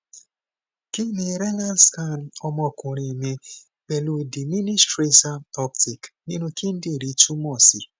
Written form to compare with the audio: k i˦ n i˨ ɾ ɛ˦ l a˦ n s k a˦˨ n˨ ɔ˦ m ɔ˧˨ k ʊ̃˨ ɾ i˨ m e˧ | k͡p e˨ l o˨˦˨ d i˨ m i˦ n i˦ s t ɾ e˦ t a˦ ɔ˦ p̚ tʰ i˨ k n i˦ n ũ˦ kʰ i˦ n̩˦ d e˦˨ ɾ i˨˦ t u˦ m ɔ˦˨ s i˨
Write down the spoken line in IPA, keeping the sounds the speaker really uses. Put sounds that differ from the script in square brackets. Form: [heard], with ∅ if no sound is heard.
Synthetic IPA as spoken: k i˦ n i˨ ɾ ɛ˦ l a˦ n s k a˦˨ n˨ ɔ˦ m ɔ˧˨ k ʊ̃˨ ɾ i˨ m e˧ | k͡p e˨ l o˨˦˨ d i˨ m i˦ n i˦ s t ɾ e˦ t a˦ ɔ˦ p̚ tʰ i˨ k n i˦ n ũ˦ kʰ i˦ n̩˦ d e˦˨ ɾ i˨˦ t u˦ m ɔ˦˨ s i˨